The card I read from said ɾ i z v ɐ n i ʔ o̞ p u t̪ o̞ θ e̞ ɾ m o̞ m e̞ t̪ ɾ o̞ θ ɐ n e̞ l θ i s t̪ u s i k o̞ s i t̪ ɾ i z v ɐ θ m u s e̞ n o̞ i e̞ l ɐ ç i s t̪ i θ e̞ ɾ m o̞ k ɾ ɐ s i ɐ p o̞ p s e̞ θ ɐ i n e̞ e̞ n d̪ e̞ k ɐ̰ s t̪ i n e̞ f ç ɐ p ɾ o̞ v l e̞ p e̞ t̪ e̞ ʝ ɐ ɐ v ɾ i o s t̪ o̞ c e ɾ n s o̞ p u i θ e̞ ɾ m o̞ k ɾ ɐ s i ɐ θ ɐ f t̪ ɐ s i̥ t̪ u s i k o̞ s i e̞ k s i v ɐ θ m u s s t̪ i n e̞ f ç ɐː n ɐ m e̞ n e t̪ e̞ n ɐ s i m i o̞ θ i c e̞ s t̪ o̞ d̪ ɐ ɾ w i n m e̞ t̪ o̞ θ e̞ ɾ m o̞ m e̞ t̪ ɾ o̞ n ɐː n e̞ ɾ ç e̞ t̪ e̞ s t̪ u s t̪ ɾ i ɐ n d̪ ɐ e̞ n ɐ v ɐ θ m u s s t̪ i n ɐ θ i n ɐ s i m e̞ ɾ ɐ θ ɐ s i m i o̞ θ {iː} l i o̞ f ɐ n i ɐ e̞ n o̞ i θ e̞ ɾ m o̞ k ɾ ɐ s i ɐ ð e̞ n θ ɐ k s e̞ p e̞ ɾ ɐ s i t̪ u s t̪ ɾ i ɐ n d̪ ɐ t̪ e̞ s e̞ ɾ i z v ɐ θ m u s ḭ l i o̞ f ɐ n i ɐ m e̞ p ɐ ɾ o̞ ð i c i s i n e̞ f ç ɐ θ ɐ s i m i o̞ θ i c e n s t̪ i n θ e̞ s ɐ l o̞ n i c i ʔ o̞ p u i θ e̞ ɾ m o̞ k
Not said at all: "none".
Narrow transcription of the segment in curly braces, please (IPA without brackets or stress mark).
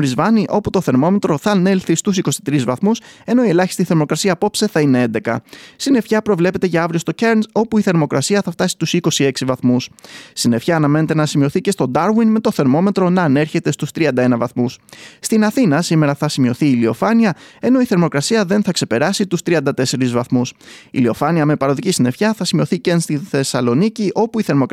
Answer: iː